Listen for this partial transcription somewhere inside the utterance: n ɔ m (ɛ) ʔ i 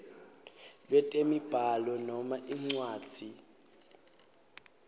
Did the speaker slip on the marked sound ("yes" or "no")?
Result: yes